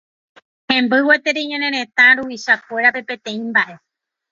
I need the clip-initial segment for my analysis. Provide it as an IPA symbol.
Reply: h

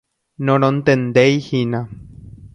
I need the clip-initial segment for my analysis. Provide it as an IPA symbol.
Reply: n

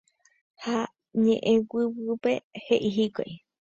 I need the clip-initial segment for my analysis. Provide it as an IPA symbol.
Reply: h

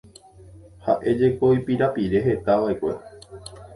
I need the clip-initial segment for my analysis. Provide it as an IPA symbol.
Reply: h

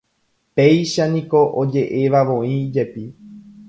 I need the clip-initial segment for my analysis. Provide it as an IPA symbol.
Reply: p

